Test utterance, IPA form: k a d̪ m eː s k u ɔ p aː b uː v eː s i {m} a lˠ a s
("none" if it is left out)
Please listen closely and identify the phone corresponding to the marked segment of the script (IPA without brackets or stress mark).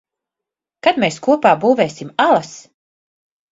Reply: m